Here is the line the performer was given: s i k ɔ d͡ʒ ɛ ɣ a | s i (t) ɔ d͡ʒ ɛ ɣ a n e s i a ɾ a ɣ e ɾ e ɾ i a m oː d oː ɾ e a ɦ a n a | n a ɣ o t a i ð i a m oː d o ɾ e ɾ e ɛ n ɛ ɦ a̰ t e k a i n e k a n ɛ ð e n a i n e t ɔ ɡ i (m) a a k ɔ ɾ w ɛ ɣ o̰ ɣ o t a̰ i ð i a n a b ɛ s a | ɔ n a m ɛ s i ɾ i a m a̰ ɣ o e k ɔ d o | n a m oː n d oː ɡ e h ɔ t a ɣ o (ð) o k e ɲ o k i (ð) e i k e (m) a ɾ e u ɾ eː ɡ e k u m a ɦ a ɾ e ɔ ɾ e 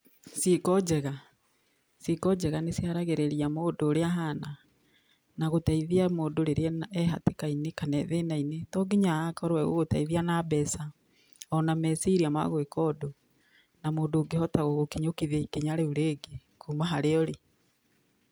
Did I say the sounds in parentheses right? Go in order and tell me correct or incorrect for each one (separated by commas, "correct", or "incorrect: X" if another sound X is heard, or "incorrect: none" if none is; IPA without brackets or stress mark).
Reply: incorrect: k, incorrect: ɲ, incorrect: ɣ, correct, incorrect: ɲ